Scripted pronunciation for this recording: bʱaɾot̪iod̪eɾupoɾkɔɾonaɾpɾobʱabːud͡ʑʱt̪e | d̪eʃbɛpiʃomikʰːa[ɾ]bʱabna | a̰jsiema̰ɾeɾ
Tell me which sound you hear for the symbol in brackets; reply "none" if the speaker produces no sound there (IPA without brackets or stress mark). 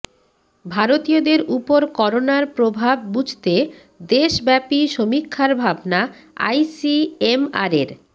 ɾ